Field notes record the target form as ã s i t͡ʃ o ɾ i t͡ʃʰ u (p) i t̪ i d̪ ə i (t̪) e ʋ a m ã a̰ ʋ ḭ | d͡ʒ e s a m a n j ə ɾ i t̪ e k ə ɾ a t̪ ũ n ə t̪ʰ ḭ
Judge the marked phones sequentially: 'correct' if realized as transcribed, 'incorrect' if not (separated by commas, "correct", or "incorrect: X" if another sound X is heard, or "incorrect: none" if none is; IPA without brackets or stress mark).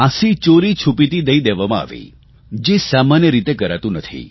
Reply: correct, incorrect: d̪